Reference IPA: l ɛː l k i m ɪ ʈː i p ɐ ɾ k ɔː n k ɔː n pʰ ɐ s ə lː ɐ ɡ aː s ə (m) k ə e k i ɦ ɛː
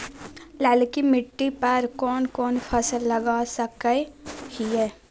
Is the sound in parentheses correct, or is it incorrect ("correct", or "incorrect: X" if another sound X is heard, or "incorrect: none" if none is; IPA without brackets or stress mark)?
incorrect: none